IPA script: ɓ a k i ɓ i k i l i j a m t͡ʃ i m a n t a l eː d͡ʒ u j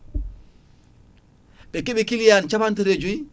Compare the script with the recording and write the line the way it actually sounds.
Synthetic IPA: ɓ ɛ k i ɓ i k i l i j a n t͡ʃ a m a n t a ɾ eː d͡ʒ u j